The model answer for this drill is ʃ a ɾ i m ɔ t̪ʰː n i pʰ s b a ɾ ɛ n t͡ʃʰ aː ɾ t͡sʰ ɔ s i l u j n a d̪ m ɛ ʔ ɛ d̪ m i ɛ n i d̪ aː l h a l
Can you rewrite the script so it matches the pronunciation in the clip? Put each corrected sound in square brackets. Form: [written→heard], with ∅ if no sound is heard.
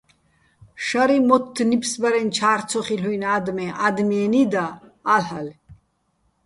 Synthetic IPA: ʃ a ɾ i m ɔ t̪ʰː n i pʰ s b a ɾ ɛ n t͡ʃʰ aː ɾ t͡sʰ ɔ [s→χ] i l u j n a d̪ m ɛ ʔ [ɛ→a] d̪ m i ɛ n i d̪ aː l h a l